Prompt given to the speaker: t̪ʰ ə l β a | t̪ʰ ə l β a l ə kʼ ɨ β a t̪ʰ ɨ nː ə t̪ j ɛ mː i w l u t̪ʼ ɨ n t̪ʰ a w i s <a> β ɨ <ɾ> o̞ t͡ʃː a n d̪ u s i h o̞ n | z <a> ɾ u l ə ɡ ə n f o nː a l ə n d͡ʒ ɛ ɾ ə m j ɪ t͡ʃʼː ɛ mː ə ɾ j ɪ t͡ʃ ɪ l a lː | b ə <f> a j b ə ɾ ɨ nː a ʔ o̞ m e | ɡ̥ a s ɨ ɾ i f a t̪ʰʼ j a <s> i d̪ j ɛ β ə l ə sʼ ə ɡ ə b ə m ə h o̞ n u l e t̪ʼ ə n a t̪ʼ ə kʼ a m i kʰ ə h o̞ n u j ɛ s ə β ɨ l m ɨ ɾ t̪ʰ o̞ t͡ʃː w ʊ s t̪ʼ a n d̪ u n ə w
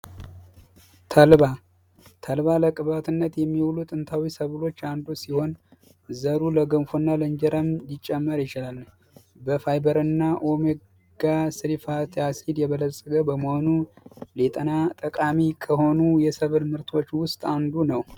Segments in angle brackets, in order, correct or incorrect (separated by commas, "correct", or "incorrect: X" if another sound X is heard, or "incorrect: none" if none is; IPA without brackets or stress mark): incorrect: ə, incorrect: l, incorrect: ə, correct, correct